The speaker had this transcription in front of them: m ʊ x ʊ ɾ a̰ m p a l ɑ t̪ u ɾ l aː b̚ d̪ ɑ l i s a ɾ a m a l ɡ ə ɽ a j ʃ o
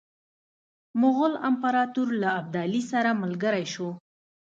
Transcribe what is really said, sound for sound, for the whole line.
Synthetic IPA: m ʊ ɣ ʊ l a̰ m p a ɾ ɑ t̪ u ɾ l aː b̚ d̪ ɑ l i s a ɾ a m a l ɡ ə ɾ a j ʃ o